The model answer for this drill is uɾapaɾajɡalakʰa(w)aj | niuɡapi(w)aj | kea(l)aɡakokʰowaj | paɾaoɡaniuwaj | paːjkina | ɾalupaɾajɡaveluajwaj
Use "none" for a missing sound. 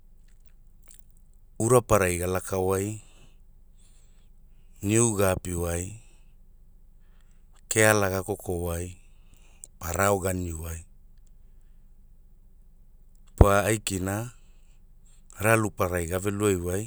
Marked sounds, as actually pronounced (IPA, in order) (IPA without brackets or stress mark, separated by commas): w, w, l